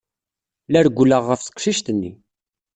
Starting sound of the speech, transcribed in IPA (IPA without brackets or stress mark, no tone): l